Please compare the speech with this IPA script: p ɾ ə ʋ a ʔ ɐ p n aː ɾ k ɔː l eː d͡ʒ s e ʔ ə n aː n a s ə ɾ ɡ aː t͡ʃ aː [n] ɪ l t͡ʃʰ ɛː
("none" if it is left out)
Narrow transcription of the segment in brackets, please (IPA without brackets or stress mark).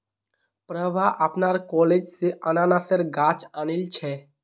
n